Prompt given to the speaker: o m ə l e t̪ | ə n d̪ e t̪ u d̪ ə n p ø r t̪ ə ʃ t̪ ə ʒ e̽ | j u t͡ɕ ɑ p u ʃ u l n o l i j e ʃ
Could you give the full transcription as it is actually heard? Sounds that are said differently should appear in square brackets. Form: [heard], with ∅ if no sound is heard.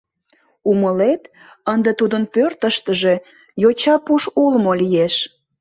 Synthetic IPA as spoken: [u] m ə l e t̪ | ə n d̪ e t̪ u d̪ ə n p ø r t̪ ə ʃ t̪ ə ʒ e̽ | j [o] t͡ɕ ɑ p u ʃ u l [m] o l i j e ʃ